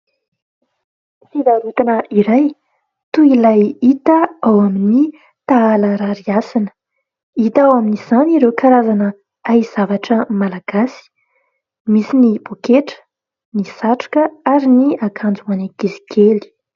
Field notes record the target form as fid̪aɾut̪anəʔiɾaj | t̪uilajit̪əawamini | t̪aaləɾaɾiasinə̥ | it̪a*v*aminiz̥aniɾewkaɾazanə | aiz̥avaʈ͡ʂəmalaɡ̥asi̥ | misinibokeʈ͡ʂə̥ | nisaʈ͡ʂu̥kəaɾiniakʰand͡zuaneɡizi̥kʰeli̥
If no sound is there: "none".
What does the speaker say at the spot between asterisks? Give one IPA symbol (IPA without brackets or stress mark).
w